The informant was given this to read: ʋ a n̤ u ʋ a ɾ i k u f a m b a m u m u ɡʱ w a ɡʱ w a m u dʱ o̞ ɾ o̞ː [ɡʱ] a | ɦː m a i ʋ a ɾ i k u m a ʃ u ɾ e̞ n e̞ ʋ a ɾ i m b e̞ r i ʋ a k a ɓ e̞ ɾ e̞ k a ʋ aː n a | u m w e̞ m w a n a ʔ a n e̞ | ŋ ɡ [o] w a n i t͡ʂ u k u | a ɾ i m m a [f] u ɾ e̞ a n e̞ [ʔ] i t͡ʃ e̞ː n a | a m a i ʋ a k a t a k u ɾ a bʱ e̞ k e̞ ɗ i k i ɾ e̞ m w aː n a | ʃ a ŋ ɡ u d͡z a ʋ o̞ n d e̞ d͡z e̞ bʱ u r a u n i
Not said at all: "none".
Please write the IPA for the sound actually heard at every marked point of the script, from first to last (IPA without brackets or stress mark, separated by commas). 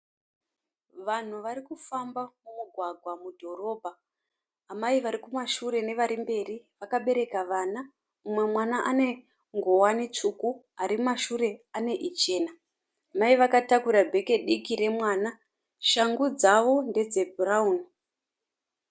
bʱ, o, ʃ, ʔ